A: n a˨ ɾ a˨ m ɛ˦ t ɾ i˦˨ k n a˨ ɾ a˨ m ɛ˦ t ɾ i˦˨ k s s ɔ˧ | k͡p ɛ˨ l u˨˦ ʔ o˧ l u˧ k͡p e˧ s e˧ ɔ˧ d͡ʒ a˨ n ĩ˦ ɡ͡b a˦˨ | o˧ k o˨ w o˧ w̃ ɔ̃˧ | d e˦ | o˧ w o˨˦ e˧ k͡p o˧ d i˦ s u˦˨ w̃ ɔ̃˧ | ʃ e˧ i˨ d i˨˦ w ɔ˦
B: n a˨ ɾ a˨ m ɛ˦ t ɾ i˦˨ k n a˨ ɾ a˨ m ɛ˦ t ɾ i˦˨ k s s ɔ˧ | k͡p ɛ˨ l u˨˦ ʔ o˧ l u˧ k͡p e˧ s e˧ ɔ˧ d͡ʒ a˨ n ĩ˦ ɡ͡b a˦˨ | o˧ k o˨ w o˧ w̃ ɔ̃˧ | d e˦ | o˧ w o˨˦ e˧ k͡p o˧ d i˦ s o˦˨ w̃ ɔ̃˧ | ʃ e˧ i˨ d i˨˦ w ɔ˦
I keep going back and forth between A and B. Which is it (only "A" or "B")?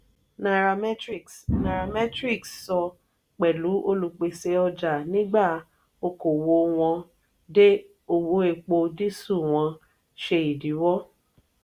A